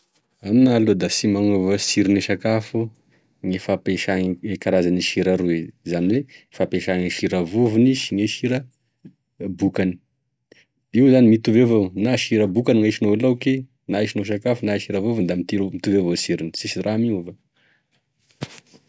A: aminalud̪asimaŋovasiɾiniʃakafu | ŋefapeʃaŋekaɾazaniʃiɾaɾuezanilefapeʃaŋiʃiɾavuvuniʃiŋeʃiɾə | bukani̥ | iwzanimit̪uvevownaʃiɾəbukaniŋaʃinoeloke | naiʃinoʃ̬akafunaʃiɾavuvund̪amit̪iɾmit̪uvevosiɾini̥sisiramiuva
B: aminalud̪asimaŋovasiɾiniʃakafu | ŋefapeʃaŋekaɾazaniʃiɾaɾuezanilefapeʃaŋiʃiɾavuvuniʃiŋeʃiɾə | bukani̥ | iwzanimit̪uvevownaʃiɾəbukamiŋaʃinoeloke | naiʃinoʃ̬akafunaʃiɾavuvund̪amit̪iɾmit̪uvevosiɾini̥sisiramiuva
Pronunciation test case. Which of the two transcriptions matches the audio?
A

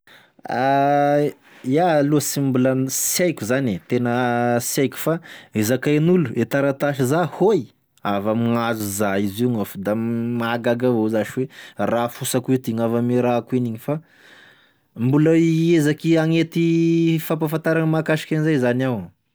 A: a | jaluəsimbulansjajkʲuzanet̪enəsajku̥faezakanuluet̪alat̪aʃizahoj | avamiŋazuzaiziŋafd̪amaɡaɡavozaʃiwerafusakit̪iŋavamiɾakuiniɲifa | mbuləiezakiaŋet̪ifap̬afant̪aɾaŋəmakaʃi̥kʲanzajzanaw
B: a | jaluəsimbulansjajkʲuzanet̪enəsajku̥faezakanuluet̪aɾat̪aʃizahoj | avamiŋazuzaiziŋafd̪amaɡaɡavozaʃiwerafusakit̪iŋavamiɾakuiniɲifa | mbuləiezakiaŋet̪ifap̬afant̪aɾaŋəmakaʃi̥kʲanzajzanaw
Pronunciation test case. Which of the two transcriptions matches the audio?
B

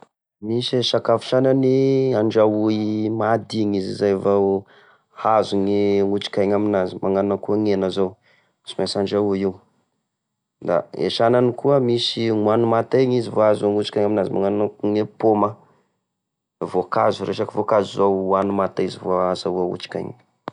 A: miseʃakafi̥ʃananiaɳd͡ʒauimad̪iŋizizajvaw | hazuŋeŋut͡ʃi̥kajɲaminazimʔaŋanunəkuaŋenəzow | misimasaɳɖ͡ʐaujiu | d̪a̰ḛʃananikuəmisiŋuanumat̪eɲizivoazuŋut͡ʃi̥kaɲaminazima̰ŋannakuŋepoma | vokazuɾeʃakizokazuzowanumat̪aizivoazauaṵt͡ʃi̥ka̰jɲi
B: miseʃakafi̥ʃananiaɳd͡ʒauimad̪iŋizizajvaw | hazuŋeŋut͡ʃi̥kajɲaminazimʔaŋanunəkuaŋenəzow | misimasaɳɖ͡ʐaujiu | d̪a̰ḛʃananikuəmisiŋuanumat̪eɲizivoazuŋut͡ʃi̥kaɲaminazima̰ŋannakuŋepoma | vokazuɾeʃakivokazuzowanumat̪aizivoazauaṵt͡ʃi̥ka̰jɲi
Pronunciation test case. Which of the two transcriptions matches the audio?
B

